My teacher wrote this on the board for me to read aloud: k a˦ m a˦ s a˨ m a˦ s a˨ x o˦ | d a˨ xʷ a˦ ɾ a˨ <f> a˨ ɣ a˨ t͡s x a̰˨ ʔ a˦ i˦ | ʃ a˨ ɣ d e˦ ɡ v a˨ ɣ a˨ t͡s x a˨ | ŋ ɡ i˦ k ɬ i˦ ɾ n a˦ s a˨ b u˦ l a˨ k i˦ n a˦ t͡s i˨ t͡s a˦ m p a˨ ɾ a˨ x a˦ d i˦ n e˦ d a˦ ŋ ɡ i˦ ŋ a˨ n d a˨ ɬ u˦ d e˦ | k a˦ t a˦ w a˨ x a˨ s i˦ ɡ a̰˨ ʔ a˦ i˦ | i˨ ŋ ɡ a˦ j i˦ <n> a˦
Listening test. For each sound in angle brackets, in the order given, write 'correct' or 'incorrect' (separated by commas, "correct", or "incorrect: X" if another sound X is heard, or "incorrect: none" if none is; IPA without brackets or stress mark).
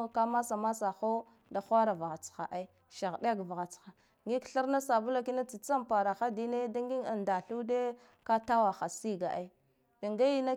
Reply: incorrect: v, correct